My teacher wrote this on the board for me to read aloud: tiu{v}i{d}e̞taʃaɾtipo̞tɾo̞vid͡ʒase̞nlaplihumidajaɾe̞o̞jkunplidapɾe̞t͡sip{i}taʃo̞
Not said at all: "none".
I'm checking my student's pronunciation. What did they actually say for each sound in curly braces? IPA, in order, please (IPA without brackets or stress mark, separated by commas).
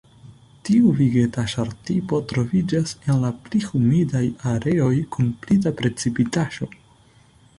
v, ɡ, i